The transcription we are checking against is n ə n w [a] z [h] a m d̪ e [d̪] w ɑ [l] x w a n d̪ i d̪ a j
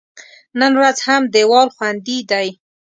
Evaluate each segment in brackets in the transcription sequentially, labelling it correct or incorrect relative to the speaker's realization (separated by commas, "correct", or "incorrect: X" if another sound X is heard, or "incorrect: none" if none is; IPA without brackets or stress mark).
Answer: correct, correct, incorrect: none, correct